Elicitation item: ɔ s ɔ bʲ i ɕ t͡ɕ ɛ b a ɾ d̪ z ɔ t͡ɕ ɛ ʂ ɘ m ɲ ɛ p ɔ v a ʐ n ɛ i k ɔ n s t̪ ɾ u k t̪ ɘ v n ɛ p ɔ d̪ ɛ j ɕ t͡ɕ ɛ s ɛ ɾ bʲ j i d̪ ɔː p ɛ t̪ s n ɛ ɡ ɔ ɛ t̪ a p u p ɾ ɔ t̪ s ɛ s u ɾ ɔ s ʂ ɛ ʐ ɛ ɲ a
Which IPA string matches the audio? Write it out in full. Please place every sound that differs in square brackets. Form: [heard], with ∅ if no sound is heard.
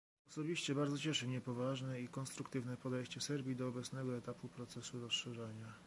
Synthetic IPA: ɔ s ɔ bʲ i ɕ t͡ɕ ɛ b a ɾ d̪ z ɔ t͡ɕ ɛ ʂ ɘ m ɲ ɛ p ɔ v a ʐ n ɛ i k ɔ n s t̪ ɾ u k t̪ ɘ v n ɛ p ɔ d̪ ɛ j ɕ t͡ɕ ɛ s ɛ ɾ bʲ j i d̪ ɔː [b] ɛ t̪ s n ɛ ɡ ɔ ɛ t̪ a p u p ɾ ɔ t̪ s ɛ s u ɾ ɔ s ʂ ɛ ʐ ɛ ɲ a